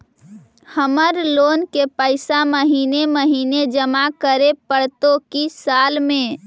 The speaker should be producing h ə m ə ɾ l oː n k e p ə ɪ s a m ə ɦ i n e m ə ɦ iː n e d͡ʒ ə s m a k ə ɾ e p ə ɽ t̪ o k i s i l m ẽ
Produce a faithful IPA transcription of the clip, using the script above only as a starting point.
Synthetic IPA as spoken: h ə m ə ɾ l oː n k e p ə ɪ s a m ə ɦ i n e m ə ɦ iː n e d͡ʒ ə m a k ə ɾ e p ə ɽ t̪ o k i s a l m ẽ